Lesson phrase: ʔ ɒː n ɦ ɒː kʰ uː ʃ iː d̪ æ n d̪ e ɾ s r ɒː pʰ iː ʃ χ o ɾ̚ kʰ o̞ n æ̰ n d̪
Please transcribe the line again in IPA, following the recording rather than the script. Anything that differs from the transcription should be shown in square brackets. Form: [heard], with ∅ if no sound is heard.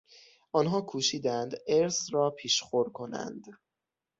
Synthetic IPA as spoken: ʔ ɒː n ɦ ɒː kʰ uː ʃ iː d̪ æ n d̪ e ɾ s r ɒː pʰ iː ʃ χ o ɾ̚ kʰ o̞ n æ̰ n d̪